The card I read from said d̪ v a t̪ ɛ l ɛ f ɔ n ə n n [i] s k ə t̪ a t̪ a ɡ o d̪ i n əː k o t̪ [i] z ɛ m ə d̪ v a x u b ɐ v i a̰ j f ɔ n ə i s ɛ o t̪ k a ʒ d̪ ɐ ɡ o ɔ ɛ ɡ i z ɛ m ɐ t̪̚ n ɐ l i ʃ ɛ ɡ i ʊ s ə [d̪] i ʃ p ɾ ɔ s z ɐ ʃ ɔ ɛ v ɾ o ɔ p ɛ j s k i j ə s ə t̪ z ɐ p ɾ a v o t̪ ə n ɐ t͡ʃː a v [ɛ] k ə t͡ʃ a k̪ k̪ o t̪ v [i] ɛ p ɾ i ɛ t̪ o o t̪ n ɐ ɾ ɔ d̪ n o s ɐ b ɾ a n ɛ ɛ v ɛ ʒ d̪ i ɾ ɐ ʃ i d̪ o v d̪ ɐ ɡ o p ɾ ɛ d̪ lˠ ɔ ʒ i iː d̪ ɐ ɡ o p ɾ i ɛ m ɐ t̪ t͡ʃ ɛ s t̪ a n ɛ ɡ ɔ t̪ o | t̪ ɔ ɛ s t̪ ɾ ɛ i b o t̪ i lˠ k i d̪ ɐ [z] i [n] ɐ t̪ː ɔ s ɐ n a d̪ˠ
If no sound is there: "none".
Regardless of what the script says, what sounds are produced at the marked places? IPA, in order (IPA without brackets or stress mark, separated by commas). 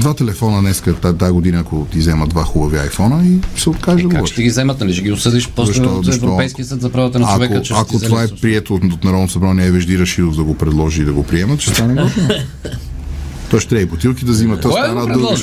ɛ, i, d̪, ɛ, a, z, m